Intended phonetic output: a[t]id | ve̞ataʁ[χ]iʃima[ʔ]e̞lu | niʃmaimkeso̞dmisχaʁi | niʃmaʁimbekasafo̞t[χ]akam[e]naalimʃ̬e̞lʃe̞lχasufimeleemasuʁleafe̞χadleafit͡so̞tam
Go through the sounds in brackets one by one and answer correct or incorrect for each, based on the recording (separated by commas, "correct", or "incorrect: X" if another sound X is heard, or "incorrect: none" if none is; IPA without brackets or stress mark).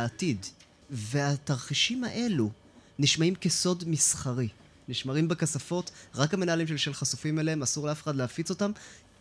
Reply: correct, correct, correct, incorrect: ʁ, correct